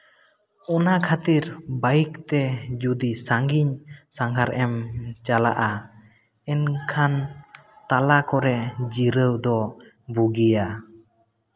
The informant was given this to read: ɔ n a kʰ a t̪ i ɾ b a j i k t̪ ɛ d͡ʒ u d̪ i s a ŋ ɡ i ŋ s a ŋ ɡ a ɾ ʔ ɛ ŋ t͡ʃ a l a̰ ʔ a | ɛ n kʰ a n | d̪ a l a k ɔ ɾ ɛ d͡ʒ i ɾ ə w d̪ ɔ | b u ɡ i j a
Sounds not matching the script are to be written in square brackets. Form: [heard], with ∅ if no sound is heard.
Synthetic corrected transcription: ɔ n a kʰ a t̪ i ɾ b a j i k t̪ ɛ d͡ʒ u d̪ i s a ŋ ɡ i [ɲ] s a ŋ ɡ a ɾ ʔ ɛ [m] t͡ʃ a l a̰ ʔ a | ɛ n kʰ a n | [t̪] a l a k ɔ ɾ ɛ d͡ʒ i ɾ ə w d̪ ɔ | b u ɡ i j a